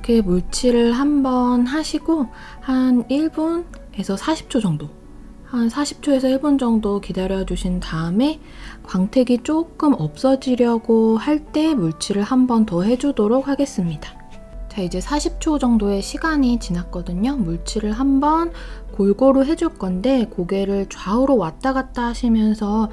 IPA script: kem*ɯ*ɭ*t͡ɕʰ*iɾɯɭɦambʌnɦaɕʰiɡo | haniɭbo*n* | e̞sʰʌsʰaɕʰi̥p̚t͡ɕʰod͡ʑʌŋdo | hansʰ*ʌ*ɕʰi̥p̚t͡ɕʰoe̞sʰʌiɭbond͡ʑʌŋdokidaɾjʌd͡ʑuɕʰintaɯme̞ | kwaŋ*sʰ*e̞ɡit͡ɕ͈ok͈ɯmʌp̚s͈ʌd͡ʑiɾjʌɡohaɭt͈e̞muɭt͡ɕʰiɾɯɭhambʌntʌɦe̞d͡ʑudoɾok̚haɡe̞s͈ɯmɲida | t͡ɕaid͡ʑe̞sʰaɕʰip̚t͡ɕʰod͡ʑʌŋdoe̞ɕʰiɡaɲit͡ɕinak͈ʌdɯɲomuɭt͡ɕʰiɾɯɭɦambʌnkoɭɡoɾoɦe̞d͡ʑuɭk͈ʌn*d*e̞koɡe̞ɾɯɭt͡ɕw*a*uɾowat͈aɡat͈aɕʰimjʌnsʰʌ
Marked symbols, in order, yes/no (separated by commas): no, yes, yes, no, no, yes, yes